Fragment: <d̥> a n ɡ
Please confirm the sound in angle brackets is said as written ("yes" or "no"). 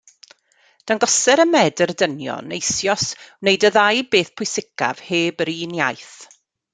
yes